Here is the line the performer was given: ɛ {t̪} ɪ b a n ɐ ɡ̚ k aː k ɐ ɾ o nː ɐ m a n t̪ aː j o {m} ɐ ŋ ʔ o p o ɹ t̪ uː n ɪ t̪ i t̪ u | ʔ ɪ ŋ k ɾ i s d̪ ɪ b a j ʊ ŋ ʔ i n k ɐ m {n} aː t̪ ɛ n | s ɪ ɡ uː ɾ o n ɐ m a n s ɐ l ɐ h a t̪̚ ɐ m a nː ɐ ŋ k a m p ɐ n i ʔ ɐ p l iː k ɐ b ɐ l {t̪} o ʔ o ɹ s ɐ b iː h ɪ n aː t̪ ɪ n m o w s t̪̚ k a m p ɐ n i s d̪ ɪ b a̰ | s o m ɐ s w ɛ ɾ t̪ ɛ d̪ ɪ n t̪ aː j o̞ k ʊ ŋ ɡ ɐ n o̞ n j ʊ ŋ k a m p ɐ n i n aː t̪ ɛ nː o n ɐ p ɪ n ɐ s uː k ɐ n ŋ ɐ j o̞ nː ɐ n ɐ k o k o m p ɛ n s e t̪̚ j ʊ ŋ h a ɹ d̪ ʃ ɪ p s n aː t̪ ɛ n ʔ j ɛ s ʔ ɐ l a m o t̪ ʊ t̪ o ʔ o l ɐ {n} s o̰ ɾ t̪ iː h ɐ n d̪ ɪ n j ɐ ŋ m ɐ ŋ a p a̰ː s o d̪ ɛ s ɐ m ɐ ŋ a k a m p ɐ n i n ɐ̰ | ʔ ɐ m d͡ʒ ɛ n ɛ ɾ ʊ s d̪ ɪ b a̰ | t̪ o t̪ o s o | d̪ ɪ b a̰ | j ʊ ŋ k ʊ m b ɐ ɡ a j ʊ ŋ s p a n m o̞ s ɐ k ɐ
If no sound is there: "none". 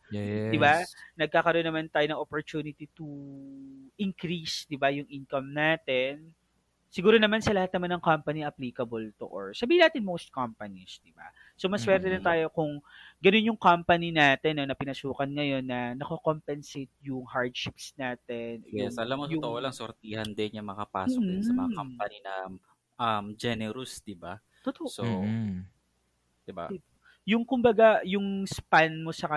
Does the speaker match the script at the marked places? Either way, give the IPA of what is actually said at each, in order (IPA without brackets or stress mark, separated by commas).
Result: d̪, n, n, t̪, ŋ